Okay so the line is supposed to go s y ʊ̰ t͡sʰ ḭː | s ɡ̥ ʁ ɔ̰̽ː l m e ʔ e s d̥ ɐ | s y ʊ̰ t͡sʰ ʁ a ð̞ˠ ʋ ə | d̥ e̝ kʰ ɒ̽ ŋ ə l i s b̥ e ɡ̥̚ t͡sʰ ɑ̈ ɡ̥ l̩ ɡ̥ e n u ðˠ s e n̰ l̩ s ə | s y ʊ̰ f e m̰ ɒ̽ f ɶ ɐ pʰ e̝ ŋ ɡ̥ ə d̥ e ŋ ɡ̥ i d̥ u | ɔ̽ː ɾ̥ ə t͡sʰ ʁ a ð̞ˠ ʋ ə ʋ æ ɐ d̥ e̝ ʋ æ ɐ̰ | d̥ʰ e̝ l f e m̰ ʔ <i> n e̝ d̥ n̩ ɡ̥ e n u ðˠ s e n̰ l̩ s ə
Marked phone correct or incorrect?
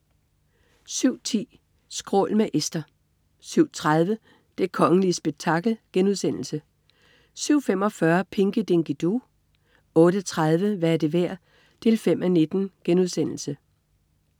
incorrect